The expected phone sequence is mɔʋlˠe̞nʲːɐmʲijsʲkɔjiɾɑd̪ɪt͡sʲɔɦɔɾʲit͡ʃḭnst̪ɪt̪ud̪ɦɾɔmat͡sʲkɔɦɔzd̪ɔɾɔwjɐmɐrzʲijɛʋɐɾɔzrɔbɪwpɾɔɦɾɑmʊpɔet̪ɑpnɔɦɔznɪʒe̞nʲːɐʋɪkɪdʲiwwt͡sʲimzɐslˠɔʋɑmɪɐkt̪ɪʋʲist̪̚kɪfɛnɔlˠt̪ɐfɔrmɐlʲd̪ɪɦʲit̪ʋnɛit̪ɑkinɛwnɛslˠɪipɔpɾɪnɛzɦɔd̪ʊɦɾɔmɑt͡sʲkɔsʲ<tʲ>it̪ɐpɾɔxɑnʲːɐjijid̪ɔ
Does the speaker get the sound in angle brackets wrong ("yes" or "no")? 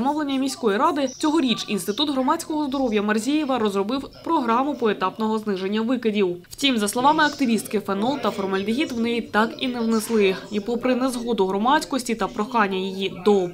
no